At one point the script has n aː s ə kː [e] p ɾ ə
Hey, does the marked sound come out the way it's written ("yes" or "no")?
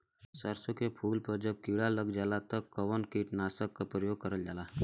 no